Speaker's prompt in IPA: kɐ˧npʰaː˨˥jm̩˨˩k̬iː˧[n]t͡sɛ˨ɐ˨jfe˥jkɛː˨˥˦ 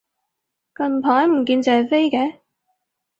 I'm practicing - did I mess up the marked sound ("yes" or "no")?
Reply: no